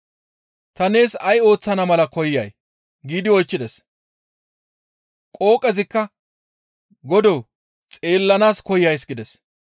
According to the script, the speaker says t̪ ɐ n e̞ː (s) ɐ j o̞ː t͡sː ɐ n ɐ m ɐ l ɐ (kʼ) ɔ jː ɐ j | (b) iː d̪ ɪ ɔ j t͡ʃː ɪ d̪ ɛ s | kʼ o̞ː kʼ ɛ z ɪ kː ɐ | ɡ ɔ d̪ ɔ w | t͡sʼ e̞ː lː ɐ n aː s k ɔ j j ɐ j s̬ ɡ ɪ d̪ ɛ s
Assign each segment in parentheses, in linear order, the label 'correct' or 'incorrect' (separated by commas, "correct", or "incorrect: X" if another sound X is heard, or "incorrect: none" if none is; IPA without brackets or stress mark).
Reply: correct, incorrect: k, incorrect: ɡ